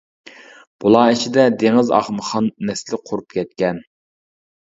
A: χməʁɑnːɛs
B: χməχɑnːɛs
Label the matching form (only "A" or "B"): B